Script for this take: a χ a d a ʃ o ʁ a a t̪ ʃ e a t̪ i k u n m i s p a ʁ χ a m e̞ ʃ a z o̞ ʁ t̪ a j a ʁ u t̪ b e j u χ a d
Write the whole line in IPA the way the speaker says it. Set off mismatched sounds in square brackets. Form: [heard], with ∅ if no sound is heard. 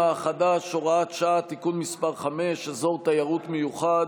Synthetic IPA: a χ a d a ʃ o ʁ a a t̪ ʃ [a] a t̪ i k u n m i s p a ʁ χ a m e̞ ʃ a z o̞ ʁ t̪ a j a ʁ u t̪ [m] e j u χ a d